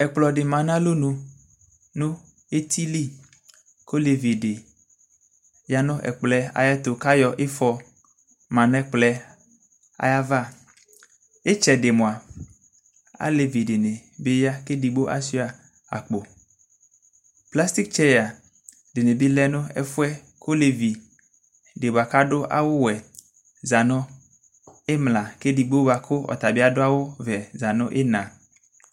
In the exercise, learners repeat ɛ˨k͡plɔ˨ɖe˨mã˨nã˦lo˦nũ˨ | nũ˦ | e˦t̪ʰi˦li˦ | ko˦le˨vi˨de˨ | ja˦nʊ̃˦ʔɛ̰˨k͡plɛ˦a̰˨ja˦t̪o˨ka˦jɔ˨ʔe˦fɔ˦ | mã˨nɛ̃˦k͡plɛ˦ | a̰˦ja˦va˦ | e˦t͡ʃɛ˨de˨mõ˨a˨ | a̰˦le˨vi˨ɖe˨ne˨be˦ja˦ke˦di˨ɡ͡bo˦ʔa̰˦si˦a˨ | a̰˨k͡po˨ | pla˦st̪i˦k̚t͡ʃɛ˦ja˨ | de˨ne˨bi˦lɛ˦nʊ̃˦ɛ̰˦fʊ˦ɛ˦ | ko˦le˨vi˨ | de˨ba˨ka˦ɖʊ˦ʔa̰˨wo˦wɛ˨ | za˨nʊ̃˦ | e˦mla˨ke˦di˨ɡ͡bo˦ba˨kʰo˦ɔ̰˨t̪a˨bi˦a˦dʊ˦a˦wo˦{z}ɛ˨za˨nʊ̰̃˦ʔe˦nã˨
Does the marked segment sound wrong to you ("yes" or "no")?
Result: yes